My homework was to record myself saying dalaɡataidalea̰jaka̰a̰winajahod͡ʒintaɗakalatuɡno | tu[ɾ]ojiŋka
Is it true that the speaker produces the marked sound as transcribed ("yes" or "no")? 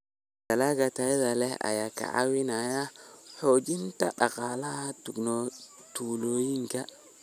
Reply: no